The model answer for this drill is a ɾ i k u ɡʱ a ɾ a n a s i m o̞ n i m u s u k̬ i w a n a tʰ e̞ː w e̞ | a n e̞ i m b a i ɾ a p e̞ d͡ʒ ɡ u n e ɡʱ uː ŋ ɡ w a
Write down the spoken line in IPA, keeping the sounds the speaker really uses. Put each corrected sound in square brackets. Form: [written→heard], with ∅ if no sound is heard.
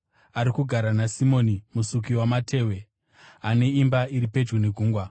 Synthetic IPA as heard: a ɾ i k u ɡʱ a ɾ a n a s i m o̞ n i m u s u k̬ i w a [n→m] a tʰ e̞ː w e̞ | a n e̞ i m b a i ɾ [a→i] p e̞ d͡ʒ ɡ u n e ɡʱ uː ŋ ɡ w a